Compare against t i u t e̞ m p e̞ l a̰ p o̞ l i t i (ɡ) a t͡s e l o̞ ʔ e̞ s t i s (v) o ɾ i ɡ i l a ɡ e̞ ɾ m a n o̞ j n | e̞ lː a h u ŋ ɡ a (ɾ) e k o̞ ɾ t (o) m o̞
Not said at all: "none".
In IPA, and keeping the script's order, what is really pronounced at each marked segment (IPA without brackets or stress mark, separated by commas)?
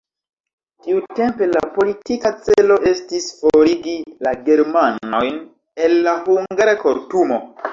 k, f, ɾ, u